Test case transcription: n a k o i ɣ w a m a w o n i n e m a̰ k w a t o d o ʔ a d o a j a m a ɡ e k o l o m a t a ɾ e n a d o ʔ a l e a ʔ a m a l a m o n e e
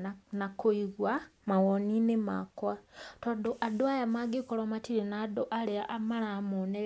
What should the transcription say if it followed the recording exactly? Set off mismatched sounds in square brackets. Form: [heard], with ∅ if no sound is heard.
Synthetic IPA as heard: n a k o i ɣ w a m a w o n i n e m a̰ k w a t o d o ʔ a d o a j a m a ɡ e k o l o m a t [i] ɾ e n a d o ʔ a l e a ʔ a m a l a m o n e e